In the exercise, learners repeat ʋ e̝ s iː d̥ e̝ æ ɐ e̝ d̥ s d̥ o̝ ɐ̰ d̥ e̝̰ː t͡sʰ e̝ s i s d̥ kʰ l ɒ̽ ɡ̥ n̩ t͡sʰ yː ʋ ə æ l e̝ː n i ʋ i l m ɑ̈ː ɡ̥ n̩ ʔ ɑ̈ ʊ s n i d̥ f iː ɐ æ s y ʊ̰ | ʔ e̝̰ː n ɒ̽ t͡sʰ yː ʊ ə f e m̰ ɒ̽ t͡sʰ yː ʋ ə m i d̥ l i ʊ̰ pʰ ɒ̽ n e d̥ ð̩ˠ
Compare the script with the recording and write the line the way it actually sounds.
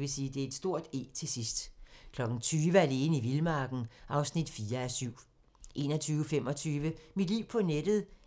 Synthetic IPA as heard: ʋ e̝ s iː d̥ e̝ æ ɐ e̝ d̥ s d̥ o̝ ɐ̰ d̥ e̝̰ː t͡sʰ e̝ s i s d̥ kʰ l ɒ̽ ɡ̥ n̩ t͡sʰ yː ʋ ə æ l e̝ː n i ʋ i l m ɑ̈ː ɡ̥ n̩ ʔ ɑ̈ ʊ s n i d̥ f iː ɐ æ s y ʊ̰ | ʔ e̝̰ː n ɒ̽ t͡sʰ yː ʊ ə f e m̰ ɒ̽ t͡sʰ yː ʋ ə m i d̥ l i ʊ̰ pʰ ɒ̽ n e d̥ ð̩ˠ